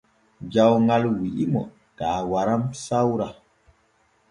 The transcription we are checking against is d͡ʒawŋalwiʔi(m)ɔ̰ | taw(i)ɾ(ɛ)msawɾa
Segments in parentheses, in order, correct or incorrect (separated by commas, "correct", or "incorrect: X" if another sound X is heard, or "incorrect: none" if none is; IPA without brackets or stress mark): correct, incorrect: a, incorrect: a